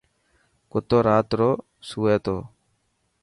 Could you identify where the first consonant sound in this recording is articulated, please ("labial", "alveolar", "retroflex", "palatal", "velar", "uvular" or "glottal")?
velar